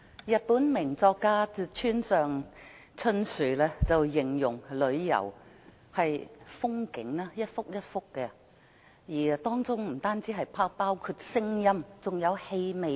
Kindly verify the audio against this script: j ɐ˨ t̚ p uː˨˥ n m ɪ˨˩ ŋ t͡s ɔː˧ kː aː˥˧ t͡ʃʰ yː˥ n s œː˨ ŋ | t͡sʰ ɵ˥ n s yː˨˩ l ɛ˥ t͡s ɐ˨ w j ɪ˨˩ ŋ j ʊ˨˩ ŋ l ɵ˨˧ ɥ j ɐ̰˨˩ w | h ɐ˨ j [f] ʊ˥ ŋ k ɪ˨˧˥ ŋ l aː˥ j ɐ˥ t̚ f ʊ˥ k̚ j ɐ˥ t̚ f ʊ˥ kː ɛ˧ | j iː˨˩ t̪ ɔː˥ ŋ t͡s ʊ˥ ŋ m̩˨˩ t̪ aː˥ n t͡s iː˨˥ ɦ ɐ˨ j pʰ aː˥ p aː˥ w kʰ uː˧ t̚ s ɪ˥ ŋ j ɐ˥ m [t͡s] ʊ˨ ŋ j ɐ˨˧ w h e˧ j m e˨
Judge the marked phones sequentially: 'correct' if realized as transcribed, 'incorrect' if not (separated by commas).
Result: correct, correct